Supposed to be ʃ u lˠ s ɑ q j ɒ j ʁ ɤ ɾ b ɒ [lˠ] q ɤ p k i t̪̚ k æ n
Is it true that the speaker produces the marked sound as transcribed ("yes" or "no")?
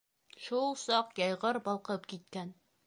yes